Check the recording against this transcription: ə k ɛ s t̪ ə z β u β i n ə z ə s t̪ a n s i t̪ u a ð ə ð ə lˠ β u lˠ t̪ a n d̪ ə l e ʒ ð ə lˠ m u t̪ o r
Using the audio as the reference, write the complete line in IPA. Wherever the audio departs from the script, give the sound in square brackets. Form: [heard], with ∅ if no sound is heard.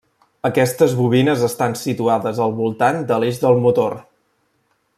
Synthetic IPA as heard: ə k ɛ s t̪ ə z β u β i n ə z ə s t̪ a n s i t̪ u a ð ə [z] ə lˠ β u lˠ t̪ a n d̪ ə l e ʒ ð ə lˠ m u t̪ o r